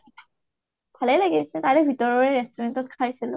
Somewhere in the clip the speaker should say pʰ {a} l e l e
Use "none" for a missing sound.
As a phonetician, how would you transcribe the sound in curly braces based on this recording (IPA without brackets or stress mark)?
a